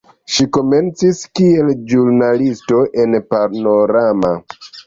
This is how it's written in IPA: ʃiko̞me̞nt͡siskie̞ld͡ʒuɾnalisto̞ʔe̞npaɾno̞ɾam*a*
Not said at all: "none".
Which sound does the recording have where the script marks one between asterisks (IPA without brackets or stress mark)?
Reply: a